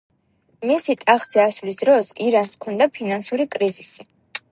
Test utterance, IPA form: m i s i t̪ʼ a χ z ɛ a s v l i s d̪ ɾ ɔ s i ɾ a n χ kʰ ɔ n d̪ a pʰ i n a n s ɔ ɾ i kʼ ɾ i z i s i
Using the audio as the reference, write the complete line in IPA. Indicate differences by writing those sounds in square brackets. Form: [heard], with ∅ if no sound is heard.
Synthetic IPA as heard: m i s i t̪ʼ a χ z ɛ a s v l i s d̪ ɾ ɔ s i ɾ a n [s] kʰ ɔ n d̪ a pʰ i n a n s [u] ɾ i kʼ ɾ i z i s i

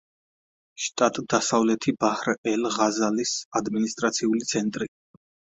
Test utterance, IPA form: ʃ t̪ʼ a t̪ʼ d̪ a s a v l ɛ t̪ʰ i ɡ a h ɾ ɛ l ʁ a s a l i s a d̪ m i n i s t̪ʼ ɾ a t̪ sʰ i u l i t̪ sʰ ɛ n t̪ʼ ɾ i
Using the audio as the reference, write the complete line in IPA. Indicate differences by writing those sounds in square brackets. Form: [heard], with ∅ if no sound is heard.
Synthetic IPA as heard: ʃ t̪ʼ a t̪ʼ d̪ a s a v l ɛ t̪ʰ i [b] a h ɾ ɛ l ʁ a [z] a l i s a d̪ m i n i s t̪ʼ ɾ a t̪ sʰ i u l i t̪ sʰ ɛ n t̪ʼ ɾ i

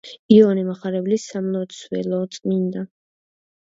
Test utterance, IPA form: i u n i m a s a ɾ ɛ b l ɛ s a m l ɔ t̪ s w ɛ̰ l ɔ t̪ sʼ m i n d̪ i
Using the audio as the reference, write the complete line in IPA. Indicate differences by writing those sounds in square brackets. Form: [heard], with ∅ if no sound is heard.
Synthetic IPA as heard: i [ɔ] n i m a [χ] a ɾ ɛ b l [i] s a m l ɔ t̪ s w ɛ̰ l ɔ t̪ sʼ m i n d̪ [a]

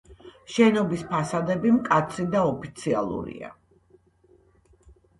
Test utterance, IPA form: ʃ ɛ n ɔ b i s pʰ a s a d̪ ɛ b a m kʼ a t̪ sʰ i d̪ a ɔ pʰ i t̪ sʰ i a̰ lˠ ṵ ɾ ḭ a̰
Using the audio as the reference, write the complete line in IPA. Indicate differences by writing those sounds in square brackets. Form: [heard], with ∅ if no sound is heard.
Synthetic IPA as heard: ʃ ɛ n ɔ b i s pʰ a s a d̪ ɛ b [i] m kʼ a t̪ sʰ i d̪ a ɔ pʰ i t̪ sʰ i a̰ lˠ ṵ ɾ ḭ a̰

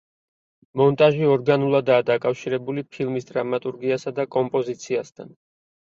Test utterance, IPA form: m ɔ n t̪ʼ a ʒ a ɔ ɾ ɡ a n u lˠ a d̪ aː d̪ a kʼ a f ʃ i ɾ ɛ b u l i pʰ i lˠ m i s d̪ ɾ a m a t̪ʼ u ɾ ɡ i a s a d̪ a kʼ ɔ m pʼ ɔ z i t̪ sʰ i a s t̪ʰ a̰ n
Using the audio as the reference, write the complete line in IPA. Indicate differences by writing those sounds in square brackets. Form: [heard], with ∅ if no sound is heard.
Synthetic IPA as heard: m ɔ n t̪ʼ a ʒ [i] ɔ ɾ ɡ a n u lˠ a d̪ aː d̪ a kʼ a f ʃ i ɾ ɛ b u l i pʰ i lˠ m i s d̪ ɾ a m a t̪ʼ u ɾ ɡ i a s a d̪ a kʼ ɔ m pʼ ɔ z i t̪ sʰ i a s t̪ʰ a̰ n

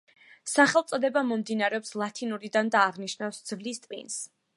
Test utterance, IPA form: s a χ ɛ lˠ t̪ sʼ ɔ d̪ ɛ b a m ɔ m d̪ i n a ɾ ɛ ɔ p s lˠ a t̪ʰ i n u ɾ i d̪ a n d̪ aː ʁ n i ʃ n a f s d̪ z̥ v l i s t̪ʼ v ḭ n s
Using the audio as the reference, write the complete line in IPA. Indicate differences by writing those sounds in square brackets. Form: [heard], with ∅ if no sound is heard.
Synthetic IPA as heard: s a χ ɛ lˠ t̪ sʼ ɔ d̪ ɛ b a m ɔ m d̪ i n a ɾ ɛ ɔ p s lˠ a t̪ʰ i n u ɾ i d̪ a n d̪ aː ʁ n i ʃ n a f s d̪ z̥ v l i s t̪ʼ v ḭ n s

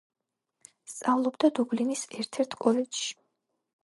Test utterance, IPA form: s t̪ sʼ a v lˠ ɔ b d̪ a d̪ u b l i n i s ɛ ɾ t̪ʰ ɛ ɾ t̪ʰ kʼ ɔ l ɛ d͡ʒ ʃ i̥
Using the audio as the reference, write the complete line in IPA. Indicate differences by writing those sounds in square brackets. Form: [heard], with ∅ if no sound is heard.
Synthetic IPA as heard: s t̪ sʼ a v lˠ ɔ b d̪ a d̪ u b l i n i s ɛ ɾ t̪ʰ ɛ ɾ t̪ʰ kʼ ɔ l ɛ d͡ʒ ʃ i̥

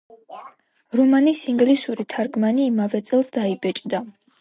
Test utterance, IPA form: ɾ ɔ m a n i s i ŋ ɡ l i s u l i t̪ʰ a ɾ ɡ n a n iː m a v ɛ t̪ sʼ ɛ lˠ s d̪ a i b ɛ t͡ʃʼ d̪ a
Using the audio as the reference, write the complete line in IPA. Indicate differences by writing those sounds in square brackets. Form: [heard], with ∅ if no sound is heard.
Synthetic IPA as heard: ɾ ɔ m a n i s i ŋ ɡ l i s u [ɾ] i t̪ʰ a ɾ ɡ [m] a n iː m a v ɛ t̪ sʼ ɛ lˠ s d̪ a i b ɛ t͡ʃʼ d̪ a

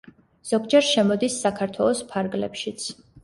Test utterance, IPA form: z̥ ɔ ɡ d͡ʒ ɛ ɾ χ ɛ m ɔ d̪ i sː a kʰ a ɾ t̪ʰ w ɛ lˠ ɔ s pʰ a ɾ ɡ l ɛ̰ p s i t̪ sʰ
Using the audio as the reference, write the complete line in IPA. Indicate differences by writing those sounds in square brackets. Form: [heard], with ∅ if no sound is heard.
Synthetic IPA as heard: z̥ ɔ ɡ d͡ʒ ɛ ɾ [ʃ] ɛ m ɔ d̪ i sː a kʰ a ɾ t̪ʰ w ɛ lˠ ɔ s pʰ a ɾ ɡ l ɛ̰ p [ʃ] i t̪ sʰ

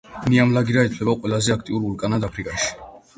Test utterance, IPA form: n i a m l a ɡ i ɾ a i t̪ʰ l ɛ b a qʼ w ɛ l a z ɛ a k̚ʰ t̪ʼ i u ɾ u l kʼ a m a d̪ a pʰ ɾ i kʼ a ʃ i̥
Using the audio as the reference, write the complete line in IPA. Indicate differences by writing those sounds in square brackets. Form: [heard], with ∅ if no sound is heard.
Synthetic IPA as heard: n i a m l a ɡ i ɾ a i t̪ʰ l ɛ b a qʼ w ɛ l a z ɛ a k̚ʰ t̪ʼ i u ɾ u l kʼ a [n] a d̪ a pʰ ɾ i kʼ a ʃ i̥

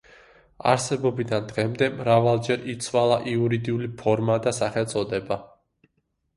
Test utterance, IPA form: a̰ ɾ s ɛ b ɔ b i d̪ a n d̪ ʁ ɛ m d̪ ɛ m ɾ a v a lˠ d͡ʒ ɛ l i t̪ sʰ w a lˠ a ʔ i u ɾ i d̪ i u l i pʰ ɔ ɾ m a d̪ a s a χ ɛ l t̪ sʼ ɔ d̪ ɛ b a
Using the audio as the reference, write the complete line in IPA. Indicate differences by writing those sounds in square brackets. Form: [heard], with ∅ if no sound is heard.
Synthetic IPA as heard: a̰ ɾ s ɛ b ɔ b i d̪ a n d̪ ʁ ɛ m d̪ ɛ m ɾ a v a lˠ d͡ʒ ɛ [ɾ] i t̪ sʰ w a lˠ a ʔ i u ɾ i d̪ i u l i pʰ ɔ ɾ m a d̪ a s a χ ɛ l t̪ sʼ ɔ d̪ ɛ b a

